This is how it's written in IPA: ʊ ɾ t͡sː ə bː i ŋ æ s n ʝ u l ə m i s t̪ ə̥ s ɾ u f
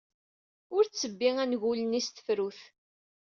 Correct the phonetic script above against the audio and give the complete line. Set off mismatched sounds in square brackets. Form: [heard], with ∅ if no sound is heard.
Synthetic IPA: ʊ ɾ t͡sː ə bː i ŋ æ [∅] n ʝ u l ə [n] i s t̪ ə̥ [f] ɾ u [θ]